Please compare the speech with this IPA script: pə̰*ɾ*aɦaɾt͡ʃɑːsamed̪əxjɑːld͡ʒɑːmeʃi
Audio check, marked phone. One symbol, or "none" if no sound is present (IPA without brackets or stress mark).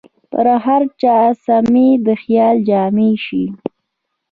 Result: ɾ